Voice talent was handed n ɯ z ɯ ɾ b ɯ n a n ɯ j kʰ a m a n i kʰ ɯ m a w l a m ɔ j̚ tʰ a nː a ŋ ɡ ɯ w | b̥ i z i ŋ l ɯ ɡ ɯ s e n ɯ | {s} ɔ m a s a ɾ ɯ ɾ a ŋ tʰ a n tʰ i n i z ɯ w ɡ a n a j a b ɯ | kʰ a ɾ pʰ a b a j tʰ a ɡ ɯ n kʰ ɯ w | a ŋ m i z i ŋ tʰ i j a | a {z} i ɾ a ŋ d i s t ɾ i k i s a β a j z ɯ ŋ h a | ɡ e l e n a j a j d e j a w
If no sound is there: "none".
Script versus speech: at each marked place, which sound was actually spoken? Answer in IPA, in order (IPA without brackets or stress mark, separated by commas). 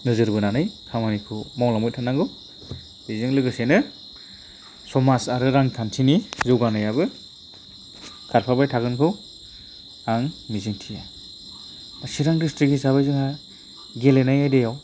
s, s